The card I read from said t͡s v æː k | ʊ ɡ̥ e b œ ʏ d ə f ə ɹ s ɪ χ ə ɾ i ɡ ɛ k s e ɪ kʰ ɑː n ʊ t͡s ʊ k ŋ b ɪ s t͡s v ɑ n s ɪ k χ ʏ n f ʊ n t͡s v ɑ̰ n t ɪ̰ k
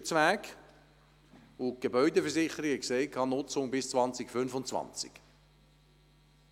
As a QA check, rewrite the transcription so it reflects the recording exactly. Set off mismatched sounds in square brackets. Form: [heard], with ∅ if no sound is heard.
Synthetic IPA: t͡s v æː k | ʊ ɡ̥ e b œ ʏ d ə f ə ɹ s ɪ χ ə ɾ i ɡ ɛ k s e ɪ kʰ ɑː n ʊ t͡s ʊ [∅] ŋ b ɪ s t͡s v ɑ n [t͡s] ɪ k [f] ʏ n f ʊ n t͡s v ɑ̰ n [t͡s] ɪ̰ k